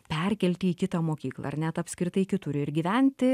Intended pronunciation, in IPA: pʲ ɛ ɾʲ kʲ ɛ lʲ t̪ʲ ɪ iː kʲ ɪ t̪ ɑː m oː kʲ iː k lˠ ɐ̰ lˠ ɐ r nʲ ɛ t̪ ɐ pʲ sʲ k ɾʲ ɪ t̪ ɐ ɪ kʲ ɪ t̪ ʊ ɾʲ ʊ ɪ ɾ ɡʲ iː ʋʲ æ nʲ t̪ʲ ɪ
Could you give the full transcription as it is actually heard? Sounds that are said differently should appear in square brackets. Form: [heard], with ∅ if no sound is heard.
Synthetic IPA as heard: pʲ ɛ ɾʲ kʲ ɛ lʲ t̪ʲ ɪ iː kʲ ɪ t̪ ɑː m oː kʲ iː k lˠ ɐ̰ [∅] ɐ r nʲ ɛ t̪ ɐ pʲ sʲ k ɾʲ ɪ t̪ ɐ ɪ kʲ ɪ t̪ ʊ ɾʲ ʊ ɪ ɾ ɡʲ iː ʋʲ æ nʲ t̪ʲ ɪ